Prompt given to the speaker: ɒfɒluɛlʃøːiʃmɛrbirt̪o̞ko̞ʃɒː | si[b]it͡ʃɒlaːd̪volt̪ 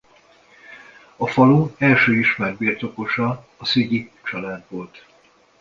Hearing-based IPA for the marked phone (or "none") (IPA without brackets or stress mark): ɟ